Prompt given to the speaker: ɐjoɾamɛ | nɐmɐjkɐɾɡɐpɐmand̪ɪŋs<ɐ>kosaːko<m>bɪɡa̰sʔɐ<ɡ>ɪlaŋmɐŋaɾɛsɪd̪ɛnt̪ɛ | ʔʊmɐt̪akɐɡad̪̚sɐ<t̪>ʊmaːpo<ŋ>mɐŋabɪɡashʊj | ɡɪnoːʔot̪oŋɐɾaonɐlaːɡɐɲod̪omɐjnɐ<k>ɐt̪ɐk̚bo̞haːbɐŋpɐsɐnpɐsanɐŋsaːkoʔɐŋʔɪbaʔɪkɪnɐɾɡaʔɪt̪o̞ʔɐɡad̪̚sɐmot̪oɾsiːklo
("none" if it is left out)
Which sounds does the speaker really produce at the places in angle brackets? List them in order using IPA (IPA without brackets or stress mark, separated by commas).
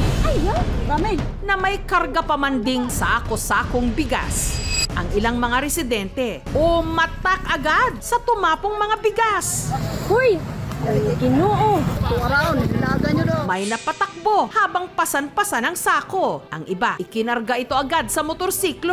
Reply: a, ŋ, ŋ, t̪, ŋ, p